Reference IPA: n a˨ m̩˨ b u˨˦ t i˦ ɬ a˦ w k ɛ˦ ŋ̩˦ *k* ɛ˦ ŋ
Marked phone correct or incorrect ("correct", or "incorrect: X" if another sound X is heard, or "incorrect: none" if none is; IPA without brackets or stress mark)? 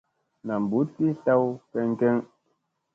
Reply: correct